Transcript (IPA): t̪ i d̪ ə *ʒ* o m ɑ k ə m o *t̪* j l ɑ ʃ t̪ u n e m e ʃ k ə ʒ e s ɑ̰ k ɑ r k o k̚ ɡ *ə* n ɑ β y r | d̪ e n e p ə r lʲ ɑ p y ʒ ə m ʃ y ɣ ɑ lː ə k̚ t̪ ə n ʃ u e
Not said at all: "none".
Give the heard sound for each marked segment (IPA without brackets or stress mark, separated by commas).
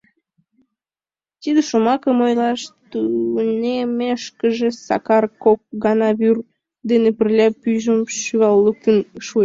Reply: ʃ, none, ɑ